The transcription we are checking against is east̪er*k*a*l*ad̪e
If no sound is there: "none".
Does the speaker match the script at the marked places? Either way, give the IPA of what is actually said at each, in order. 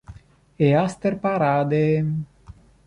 p, ɾ

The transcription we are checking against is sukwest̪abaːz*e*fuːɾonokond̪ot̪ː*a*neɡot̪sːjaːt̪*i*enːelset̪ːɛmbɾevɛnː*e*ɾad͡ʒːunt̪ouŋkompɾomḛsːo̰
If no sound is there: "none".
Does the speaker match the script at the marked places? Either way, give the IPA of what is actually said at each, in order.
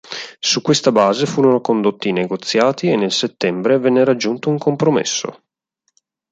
e, i, i, e

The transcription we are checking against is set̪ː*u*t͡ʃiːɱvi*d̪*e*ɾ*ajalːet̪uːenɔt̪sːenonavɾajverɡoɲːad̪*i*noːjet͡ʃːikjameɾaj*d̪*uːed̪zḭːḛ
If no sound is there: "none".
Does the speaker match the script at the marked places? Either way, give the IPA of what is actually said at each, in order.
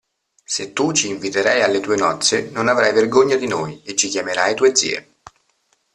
u, t̪, ɾ, i, t̪

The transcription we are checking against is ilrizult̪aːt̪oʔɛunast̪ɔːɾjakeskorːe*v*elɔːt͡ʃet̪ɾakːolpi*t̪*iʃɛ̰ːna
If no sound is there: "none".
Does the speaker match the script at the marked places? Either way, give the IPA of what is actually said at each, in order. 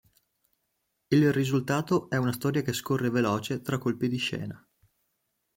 v, d̪

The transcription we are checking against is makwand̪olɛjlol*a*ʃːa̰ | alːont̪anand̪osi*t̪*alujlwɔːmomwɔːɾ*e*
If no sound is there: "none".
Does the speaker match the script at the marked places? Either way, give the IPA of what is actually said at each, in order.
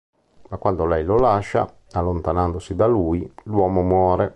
a, d̪, e

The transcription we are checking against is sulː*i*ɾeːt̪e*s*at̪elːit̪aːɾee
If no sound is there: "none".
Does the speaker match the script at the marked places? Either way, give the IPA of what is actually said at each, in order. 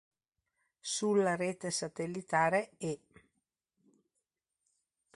a, s

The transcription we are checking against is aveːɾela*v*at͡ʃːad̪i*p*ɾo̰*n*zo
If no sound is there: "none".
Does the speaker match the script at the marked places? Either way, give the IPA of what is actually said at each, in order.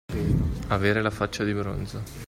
f, b, n

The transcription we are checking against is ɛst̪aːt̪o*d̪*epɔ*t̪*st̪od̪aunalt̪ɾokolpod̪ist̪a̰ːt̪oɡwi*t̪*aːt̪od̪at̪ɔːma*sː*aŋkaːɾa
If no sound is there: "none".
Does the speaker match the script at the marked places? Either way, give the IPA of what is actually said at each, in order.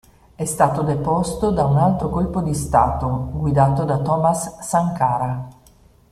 d̪, none, d̪, sː

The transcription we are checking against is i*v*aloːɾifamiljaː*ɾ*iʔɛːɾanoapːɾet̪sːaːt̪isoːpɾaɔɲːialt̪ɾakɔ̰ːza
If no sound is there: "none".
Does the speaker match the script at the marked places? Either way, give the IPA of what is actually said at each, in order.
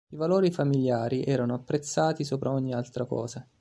v, ɾ

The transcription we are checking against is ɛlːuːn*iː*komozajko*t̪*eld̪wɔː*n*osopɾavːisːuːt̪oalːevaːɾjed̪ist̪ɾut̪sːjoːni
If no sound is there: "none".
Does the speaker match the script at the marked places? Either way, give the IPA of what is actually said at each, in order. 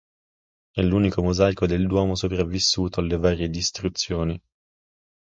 i, d̪, m

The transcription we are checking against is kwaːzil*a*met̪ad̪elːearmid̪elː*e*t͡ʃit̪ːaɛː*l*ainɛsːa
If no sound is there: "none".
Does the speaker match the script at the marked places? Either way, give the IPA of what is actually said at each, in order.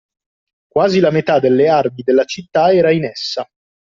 a, a, ɾ

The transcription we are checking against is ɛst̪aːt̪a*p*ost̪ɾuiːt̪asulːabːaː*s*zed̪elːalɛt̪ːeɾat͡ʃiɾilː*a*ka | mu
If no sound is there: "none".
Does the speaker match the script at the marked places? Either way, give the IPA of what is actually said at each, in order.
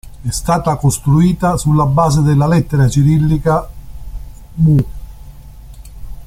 k, none, i

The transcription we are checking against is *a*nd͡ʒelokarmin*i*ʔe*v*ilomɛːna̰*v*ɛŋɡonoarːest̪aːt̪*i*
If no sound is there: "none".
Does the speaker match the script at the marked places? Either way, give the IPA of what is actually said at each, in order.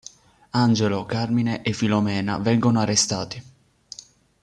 a, e, f, v, i

